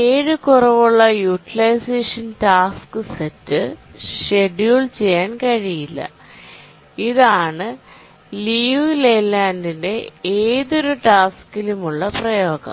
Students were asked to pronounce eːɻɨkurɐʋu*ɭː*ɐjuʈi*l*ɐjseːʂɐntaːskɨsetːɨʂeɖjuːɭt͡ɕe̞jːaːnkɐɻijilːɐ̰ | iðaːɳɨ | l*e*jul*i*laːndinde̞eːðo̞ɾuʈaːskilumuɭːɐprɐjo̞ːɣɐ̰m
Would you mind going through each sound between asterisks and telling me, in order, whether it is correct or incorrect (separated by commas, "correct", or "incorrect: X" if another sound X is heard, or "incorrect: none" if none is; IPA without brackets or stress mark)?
correct, correct, incorrect: i, incorrect: e